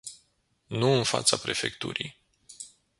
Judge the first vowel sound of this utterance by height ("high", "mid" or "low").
high